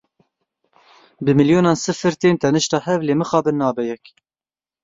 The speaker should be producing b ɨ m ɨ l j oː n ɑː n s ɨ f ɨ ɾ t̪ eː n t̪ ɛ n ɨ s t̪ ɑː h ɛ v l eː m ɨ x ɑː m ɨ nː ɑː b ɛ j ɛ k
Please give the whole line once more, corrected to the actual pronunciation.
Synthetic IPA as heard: b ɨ m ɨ l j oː n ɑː n s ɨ f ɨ ɾ t̪ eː n t̪ ɛ n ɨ ʃ t̪ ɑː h ɛ v l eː m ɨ x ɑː b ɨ nː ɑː b ɛ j ɛ k